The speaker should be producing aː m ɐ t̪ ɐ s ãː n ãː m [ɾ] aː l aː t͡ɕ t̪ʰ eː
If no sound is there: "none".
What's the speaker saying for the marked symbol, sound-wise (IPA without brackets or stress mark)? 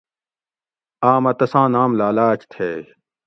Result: l